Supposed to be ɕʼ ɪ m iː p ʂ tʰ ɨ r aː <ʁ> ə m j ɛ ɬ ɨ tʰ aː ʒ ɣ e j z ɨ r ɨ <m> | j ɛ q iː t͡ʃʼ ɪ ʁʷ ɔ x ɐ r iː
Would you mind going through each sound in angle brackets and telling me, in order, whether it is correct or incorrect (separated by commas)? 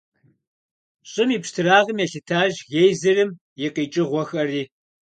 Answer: correct, correct